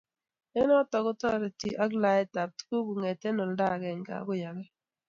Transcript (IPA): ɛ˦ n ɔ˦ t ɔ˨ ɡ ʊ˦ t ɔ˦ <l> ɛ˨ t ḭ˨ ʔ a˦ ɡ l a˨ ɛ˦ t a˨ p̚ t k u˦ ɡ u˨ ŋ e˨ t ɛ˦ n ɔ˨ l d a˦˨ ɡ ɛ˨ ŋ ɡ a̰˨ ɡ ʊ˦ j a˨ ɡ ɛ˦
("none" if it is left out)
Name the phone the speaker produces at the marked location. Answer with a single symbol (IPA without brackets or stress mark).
ɾ